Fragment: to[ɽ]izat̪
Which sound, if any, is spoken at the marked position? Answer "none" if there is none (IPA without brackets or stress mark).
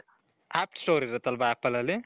ɾ